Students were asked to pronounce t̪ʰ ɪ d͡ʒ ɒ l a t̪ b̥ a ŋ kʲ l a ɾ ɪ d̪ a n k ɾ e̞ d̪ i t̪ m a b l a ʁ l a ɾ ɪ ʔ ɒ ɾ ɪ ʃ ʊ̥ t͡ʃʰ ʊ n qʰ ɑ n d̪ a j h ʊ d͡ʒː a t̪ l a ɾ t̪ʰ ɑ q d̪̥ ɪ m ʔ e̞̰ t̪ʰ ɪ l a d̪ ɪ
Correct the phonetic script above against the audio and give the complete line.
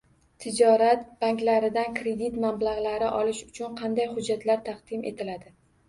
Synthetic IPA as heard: t̪ʰ ɪ d͡ʒ ɒ ɾ a t̪ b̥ a ŋ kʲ l a ɾ ɪ d̪ a n k ɾ e̞ d̪ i t̪ m a b l a ʁ l a ɾ ɪ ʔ ɒ l ɪ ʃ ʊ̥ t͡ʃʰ ʊ n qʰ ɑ n d̪ a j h ʊ d͡ʒː a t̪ l a ɾ t̪ʰ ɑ q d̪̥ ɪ m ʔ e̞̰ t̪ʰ ɪ l a d̪ ɪ